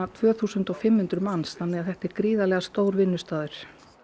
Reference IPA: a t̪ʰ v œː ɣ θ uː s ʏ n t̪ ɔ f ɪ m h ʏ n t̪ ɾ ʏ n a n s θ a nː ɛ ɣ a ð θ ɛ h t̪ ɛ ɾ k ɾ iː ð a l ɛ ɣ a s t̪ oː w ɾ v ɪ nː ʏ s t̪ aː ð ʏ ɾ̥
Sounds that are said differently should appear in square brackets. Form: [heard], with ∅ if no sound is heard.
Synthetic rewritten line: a t̪ʰ v œː [∅] θ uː s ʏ n t̪ ɔ f ɪ m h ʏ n t̪ ɾ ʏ [m] a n s θ a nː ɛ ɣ a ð θ ɛ h t̪ ɛ ɾ k ɾ iː ð a l ɛ ɣ a s t̪ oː w ɾ v ɪ nː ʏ s t̪ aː ð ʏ ɾ̥